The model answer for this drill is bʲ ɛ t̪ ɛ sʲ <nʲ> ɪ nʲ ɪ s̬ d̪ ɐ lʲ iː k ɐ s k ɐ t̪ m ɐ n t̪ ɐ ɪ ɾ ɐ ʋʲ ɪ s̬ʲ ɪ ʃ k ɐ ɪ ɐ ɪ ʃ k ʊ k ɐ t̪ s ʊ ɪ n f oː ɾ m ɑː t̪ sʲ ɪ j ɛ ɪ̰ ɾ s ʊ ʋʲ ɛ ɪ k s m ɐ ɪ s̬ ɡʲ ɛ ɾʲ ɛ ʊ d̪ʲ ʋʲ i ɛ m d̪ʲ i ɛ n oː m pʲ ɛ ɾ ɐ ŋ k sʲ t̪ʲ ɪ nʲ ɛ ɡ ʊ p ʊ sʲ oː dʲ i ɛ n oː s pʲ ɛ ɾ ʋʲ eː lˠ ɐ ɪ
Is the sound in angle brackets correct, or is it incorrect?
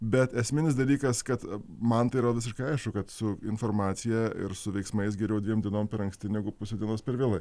incorrect